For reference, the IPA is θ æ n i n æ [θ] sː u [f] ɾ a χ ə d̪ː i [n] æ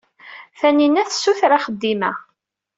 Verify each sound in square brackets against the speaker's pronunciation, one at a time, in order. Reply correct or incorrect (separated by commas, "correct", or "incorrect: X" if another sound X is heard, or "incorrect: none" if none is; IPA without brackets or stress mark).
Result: correct, incorrect: θ, incorrect: m